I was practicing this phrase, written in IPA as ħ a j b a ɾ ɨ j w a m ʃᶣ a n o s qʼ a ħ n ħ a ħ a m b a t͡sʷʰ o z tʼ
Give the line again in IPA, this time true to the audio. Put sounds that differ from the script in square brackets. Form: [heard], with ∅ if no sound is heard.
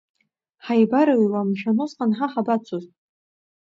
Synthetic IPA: ħ a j b a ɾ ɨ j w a m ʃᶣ a n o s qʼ a [∅] n ħ a ħ a [∅] b a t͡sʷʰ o z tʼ